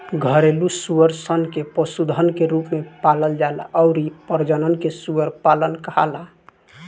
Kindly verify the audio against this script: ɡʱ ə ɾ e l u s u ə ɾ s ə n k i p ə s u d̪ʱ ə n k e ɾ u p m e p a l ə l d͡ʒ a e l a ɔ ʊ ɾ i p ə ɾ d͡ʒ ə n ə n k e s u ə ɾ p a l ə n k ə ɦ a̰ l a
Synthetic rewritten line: ɡʱ ə ɾ e l u s u ə ɾ s ə n k e p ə s u d̪ʱ ə n k e ɾ u p m e p a l ə l d͡ʒ a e l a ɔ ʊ ɾ i p ə ɾ d͡ʒ ə n ə n k e s u ə ɾ p a l ə n k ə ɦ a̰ l a